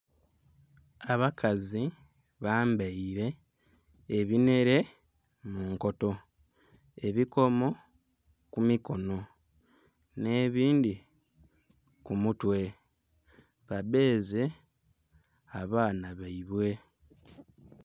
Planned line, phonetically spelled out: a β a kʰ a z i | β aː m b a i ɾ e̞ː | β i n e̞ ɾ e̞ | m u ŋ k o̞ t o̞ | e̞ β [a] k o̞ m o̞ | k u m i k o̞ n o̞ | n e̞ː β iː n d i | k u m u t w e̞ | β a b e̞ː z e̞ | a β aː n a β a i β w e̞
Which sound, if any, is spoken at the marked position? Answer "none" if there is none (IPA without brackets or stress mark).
i